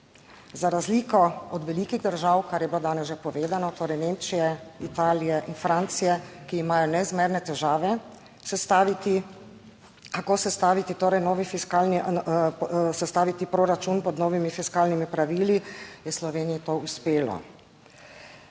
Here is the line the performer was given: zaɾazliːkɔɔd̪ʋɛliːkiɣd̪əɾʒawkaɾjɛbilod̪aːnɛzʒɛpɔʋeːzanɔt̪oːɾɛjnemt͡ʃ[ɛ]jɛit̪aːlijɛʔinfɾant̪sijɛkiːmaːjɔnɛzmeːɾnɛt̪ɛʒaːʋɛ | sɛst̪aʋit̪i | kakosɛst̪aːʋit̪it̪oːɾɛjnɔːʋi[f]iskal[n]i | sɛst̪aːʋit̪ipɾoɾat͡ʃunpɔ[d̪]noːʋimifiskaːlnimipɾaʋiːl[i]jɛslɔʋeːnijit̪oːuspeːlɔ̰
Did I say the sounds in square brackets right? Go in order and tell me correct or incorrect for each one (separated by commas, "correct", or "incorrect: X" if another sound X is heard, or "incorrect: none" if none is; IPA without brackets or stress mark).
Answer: incorrect: i, correct, correct, correct, correct